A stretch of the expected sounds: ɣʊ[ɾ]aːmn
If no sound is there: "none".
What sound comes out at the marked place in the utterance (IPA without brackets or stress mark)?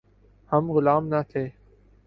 l